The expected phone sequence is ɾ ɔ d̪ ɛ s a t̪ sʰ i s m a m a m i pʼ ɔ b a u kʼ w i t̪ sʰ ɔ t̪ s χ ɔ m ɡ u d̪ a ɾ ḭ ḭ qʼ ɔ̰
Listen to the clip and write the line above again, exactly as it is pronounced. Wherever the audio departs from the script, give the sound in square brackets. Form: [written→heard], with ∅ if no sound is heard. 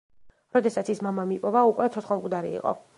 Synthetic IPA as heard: ɾ ɔ d̪ ɛ s a t̪ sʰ i s m a m a m i pʼ ɔ [b→v] a u kʼ w [i→ɛ] t̪ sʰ ɔ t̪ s χ ɔ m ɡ u d̪ a ɾ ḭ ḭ qʼ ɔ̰

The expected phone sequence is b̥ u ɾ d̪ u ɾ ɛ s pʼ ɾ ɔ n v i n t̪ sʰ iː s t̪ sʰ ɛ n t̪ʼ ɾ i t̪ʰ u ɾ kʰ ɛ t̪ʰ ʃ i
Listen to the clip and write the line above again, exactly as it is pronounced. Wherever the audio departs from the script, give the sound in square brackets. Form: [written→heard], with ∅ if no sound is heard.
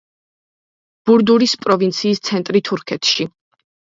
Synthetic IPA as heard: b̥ u ɾ d̪ u ɾ [ɛ→i] s pʼ ɾ ɔ [n→∅] v i n t̪ sʰ iː s t̪ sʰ ɛ n t̪ʼ ɾ i t̪ʰ u ɾ kʰ ɛ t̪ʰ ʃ i

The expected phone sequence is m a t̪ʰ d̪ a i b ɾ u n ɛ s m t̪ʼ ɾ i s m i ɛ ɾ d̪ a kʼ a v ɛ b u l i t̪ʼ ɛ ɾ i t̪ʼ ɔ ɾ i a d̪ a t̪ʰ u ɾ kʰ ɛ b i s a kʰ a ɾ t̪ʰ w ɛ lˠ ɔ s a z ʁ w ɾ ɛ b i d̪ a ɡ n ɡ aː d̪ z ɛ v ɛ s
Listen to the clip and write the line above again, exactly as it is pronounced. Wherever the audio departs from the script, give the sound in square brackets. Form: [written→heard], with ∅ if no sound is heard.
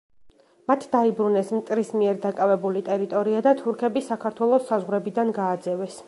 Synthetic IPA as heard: m a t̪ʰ d̪ a i b ɾ u n ɛ s m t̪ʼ ɾ i s m i ɛ ɾ d̪ a kʼ a v ɛ b u l i t̪ʼ ɛ ɾ i t̪ʼ ɔ ɾ i a d̪ a t̪ʰ u ɾ kʰ ɛ b i s a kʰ a ɾ t̪ʰ w ɛ lˠ ɔ s a z ʁ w ɾ ɛ b i d̪ a [ɡ→∅] n ɡ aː d̪ z ɛ v ɛ s

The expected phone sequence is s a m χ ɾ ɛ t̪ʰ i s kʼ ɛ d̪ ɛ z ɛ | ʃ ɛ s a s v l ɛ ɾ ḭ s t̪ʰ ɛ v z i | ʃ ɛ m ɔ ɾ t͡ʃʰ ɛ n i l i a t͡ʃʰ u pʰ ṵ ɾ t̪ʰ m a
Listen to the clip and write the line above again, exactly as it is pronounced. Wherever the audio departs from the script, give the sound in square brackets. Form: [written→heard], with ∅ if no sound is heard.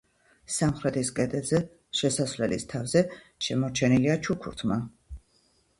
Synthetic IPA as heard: s a m χ ɾ ɛ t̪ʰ i s kʼ ɛ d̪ ɛ z ɛ | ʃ ɛ s a s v l ɛ [ɾ→l] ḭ s t̪ʰ [ɛ→a] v z [i→ɛ] | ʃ ɛ m ɔ ɾ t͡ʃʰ ɛ n i l i a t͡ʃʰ u [pʰ→kʰ] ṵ ɾ t̪ʰ m a

